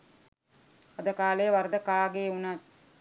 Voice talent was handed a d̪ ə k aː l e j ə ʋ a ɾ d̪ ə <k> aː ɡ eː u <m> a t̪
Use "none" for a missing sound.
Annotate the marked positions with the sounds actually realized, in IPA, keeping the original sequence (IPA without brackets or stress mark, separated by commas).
k, n